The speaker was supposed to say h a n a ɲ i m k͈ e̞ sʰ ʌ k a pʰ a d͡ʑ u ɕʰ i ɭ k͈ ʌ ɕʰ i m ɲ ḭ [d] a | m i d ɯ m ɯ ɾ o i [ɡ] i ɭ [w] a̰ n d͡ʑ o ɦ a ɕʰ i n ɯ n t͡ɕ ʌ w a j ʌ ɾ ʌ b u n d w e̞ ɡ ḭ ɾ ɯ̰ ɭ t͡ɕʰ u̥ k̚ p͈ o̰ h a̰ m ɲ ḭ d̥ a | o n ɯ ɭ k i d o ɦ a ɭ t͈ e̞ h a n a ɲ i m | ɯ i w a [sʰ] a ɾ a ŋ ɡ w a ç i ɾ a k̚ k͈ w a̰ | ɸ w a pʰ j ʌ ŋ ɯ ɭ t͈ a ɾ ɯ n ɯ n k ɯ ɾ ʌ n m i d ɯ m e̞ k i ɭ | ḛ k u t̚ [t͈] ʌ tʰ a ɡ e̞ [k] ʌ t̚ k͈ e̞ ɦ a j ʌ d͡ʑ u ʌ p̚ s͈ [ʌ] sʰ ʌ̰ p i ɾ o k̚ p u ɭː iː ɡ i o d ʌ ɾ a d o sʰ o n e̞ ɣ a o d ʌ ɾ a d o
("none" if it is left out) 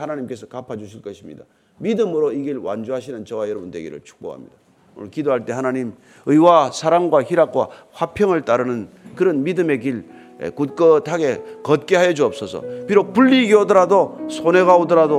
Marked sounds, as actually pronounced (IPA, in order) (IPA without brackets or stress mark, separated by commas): d, ɡ, w, sʰ, k͈, k, ʌ